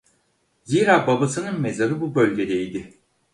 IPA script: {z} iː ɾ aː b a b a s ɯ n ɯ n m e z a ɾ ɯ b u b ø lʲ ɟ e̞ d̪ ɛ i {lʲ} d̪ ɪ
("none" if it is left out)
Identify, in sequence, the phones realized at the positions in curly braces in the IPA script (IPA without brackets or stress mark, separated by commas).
z, none